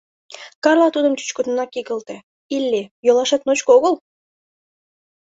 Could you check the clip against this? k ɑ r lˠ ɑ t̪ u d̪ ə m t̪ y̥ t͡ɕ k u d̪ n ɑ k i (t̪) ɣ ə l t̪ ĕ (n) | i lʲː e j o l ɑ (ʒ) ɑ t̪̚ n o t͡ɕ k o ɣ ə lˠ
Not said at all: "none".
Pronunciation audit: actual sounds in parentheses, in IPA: none, none, ʃ

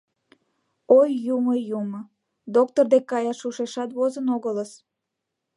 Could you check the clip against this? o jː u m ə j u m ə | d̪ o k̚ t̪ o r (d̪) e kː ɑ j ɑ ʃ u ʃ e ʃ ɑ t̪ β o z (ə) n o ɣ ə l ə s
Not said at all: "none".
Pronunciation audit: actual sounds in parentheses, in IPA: d̪, ə

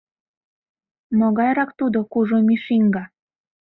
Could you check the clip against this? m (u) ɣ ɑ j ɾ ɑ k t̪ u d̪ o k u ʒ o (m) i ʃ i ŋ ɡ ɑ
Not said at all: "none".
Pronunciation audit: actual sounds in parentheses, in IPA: o, m

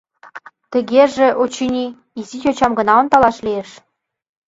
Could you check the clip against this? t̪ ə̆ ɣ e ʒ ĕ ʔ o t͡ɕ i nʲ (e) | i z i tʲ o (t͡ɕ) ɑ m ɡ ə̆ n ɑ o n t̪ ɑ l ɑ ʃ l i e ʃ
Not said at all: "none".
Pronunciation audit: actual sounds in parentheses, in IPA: i, t͡ɕ

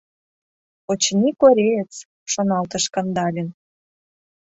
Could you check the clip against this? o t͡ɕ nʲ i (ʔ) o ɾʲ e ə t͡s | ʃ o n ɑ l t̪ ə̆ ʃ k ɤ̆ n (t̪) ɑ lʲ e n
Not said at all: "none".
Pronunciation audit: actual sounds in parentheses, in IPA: k, d̪

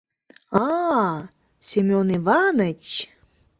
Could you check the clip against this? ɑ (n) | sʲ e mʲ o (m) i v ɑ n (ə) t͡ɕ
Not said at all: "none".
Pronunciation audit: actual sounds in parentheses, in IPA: none, n, ə

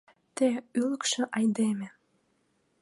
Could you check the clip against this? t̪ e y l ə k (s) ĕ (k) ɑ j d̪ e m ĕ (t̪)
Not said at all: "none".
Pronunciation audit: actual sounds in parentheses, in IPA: ʃ, ʔ, none

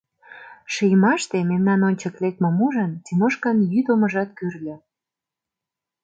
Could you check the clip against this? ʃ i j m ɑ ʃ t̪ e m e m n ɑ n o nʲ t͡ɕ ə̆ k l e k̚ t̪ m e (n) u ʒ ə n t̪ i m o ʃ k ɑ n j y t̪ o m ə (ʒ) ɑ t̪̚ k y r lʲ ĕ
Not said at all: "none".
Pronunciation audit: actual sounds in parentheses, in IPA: m, ʒ

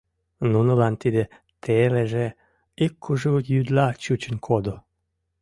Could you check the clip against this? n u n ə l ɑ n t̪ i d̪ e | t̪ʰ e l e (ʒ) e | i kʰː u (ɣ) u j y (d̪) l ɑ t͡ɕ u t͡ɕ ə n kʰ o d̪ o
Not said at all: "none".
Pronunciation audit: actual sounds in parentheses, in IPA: ʒ, ʒ, d̪

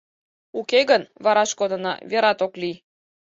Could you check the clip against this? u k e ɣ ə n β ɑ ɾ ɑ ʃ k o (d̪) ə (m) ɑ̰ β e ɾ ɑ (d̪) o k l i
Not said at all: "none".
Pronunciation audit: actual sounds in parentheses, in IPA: d̪, n, t̪

